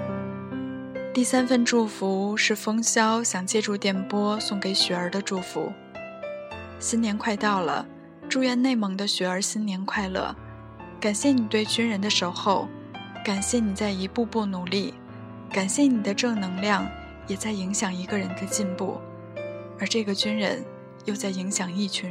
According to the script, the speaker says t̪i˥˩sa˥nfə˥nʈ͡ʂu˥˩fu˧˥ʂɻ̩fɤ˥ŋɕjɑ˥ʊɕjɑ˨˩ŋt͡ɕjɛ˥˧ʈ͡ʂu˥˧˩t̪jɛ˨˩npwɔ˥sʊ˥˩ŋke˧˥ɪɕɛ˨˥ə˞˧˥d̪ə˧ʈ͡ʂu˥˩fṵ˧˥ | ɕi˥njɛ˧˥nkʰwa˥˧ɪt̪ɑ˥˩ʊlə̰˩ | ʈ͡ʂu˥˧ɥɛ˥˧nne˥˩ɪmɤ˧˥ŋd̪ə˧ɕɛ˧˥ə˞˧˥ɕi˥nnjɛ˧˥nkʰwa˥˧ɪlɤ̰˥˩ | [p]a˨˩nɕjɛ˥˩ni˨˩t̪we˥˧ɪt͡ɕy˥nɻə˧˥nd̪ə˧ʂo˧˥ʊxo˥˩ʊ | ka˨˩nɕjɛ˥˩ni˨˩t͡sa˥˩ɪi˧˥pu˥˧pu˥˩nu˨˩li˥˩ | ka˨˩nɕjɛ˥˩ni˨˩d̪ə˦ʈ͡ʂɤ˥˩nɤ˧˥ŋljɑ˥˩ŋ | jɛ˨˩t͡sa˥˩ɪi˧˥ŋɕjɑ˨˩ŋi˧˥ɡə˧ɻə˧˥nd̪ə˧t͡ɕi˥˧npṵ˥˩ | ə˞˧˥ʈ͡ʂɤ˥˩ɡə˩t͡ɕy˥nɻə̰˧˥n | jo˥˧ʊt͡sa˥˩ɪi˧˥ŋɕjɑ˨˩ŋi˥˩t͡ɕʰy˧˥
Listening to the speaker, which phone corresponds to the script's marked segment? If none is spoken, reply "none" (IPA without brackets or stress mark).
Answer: k